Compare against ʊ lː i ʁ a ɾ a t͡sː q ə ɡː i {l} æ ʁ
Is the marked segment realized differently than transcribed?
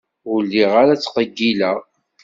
no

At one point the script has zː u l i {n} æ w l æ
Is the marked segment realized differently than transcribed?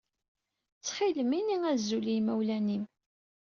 yes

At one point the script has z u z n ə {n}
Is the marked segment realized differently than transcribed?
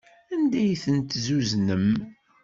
yes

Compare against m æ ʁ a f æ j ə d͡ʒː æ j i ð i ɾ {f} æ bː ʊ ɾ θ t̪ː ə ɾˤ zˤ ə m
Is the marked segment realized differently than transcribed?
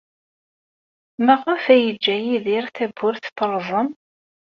yes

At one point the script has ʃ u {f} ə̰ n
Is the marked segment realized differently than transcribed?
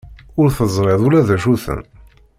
yes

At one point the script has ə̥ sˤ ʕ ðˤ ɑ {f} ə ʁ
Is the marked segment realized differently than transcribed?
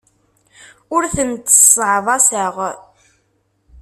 yes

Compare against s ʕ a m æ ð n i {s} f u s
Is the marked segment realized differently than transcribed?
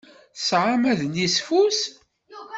no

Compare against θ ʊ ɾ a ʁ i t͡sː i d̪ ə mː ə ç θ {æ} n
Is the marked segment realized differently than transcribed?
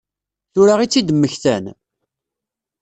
no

